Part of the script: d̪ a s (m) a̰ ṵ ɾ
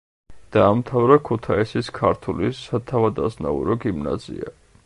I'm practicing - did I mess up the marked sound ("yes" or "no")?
yes